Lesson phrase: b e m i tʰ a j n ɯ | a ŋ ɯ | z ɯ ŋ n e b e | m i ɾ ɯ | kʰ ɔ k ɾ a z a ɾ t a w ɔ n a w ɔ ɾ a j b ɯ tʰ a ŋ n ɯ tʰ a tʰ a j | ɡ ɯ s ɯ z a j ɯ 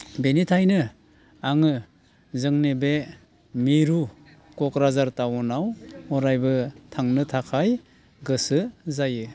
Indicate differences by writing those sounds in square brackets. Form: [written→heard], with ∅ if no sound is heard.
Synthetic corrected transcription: b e [m→n] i tʰ a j n ɯ | a ŋ ɯ | z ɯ ŋ n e b e | m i ɾ [ɯ→u] | [kʰ→k] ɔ k ɾ a z a ɾ t a w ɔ n a w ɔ ɾ a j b ɯ tʰ a ŋ n ɯ tʰ a [tʰ→kʰ] a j | ɡ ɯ s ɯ z a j ɯ